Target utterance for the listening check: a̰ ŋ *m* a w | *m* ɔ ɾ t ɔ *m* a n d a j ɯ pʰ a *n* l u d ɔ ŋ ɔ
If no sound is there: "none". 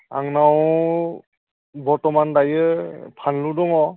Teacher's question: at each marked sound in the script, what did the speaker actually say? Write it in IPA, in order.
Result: n, b, m, n

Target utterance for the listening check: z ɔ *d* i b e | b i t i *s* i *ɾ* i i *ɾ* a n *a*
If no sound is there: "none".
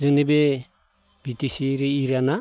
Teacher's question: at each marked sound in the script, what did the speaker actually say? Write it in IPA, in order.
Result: n, s, ɾ, ɾ, a

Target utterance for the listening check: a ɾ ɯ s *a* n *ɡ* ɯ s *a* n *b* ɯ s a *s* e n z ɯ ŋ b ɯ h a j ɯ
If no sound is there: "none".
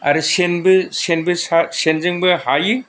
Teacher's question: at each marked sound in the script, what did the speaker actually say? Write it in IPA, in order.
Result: e, b, e, b, s

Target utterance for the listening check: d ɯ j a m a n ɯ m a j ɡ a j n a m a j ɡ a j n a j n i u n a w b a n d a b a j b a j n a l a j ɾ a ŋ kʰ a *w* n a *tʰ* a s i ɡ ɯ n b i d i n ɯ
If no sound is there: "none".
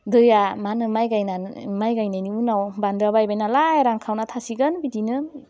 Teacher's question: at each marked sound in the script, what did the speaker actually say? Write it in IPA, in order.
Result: w, tʰ

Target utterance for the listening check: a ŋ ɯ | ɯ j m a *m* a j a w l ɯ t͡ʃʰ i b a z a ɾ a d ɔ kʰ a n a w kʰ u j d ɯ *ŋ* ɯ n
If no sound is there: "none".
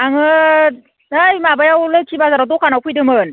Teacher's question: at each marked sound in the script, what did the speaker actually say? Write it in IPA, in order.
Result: b, m

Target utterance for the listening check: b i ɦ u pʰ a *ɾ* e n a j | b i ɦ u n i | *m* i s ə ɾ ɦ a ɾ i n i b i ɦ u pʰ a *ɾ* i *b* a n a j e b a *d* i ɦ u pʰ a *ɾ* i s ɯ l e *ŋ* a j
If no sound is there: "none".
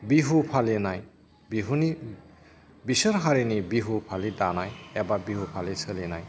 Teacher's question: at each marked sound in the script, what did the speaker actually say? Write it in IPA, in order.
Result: l, b, l, d, b, l, n

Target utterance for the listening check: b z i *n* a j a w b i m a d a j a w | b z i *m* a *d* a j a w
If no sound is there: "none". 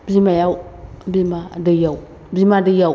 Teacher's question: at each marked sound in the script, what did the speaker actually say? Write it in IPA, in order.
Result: m, m, d

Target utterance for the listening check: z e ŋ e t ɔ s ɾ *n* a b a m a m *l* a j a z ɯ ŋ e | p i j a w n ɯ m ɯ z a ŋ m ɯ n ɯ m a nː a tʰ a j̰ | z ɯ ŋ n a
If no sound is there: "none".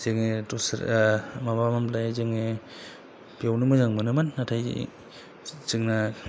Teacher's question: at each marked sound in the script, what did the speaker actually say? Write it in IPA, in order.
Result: m, l

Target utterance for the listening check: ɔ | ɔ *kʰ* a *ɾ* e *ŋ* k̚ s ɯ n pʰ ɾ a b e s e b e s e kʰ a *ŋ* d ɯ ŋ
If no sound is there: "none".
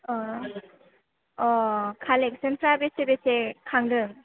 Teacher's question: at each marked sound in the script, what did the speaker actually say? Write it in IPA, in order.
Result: kʰ, l, none, ŋ

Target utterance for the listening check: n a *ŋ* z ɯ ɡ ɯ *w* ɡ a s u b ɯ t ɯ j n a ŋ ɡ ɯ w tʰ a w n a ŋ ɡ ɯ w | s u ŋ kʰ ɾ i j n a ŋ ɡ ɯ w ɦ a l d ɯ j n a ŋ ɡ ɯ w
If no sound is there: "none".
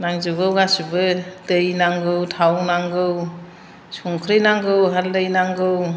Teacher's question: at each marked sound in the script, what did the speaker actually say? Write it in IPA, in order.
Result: ŋ, w

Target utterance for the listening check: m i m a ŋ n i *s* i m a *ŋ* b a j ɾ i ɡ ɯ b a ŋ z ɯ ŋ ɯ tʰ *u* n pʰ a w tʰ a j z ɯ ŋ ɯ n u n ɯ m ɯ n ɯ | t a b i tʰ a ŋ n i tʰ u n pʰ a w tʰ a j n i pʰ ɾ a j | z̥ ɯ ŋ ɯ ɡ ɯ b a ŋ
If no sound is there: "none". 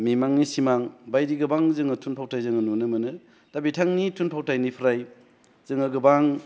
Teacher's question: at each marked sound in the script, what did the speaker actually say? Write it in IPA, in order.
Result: s, ŋ, u

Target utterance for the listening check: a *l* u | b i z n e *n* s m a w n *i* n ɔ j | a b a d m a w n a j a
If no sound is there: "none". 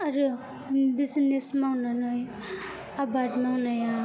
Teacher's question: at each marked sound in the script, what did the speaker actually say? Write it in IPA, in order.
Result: ɾ, none, a

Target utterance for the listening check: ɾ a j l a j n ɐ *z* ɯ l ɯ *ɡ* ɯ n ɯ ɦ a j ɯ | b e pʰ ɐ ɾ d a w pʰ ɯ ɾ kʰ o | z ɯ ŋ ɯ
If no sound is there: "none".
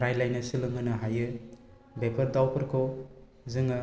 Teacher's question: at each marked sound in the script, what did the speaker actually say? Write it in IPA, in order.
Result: s, ŋ

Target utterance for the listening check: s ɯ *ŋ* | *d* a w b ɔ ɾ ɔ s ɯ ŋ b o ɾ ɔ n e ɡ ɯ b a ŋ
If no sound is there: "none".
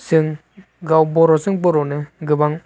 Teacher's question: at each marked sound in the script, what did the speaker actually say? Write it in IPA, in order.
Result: ŋ, ɡ

